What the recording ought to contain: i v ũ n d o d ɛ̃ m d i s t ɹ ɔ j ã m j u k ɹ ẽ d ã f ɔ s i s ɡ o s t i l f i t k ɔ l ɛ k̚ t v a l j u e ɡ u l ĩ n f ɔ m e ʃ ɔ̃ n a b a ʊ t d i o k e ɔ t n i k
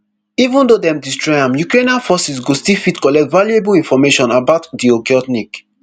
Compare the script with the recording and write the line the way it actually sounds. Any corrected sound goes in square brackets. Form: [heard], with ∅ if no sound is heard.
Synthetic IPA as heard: i v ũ n d o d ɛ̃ m d i s t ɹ ɔ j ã m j u k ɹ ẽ [n] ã f ɔ s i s ɡ o s t i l f i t k ɔ l ɛ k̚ t v a l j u e [b] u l ĩ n f ɔ m e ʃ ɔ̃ n a b a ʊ t d i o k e ɔ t n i k